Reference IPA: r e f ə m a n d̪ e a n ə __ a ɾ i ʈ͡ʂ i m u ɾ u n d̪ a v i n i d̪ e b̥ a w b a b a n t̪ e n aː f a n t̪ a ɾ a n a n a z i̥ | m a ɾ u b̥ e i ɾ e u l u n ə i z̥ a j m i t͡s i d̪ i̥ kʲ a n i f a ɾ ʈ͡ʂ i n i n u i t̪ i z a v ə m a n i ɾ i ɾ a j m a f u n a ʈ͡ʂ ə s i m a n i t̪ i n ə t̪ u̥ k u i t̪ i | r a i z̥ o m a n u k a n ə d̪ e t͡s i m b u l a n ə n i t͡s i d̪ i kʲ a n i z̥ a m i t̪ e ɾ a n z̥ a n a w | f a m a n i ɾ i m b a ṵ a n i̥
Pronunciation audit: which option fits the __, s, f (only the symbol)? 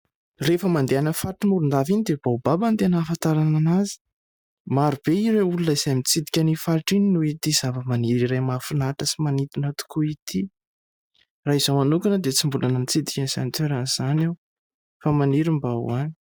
f